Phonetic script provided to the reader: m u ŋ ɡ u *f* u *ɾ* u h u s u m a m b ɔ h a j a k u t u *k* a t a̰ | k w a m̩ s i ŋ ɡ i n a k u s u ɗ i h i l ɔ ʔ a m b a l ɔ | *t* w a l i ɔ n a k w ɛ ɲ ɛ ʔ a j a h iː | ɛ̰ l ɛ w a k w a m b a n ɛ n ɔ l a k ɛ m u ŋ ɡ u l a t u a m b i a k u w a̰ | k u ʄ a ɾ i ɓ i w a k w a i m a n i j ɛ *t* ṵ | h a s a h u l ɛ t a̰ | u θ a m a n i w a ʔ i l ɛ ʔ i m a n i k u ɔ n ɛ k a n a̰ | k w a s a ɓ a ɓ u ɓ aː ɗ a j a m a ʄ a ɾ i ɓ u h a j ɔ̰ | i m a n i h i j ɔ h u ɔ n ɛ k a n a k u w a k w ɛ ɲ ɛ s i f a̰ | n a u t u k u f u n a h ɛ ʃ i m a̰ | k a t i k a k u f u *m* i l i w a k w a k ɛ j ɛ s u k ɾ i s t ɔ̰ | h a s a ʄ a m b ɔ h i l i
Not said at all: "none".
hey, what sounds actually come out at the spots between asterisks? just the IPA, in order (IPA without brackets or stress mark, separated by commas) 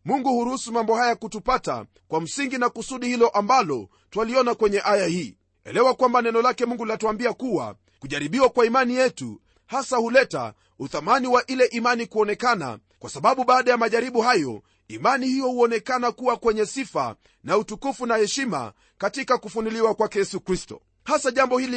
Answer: h, ɾ, p, t, t, n